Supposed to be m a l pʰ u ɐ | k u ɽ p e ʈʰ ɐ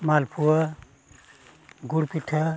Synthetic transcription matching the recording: m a l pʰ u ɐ | ɡ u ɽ p i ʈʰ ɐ

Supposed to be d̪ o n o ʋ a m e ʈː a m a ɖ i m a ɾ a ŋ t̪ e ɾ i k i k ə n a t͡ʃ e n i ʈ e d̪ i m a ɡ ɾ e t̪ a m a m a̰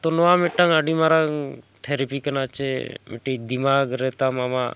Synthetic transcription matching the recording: t̪ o n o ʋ a m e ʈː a ŋ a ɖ i m a ɾ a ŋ t̪ʰ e ɾ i p i k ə n a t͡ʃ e m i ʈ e d̪ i m a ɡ ɾ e t̪ a m a m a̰

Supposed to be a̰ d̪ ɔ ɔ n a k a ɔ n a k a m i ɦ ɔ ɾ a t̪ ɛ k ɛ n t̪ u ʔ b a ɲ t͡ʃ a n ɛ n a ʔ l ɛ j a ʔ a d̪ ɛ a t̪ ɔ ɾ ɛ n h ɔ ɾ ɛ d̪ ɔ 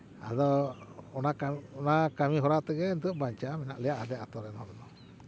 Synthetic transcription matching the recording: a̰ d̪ ɔ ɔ n a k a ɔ n a k a m i ɦ ɔ ɾ a t̪ ɛ ɡ ɛ n t̪ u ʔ b a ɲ t͡ʃ a m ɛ n a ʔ l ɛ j a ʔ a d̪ ɛ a t̪ ɔ ɾ ɛ n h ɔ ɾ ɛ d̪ ɔ

